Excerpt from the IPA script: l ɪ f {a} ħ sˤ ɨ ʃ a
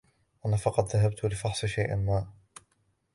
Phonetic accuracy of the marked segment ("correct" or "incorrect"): incorrect